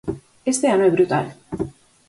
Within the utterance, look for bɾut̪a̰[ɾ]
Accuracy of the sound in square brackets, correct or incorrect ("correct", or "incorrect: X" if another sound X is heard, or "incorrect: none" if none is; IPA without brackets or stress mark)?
incorrect: l